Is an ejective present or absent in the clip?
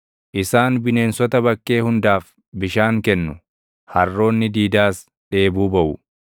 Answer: absent